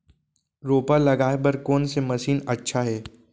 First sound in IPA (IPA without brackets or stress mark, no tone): ɾ